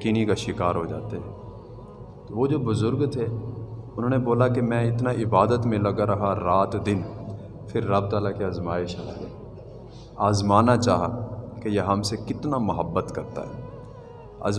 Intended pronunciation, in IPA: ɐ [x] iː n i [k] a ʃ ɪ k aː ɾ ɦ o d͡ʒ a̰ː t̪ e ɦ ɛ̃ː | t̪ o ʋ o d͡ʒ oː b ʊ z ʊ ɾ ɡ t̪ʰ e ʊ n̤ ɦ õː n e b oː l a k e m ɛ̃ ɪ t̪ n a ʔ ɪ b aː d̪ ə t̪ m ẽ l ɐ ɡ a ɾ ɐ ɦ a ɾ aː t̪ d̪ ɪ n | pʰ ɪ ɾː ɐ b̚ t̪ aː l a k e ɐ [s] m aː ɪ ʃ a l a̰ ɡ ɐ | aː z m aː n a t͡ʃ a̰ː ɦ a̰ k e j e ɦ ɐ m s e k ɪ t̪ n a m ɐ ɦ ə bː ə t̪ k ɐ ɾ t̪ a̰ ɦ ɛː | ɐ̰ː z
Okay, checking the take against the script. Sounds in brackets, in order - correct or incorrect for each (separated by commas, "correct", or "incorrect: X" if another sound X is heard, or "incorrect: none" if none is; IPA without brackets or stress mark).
incorrect: k, correct, incorrect: z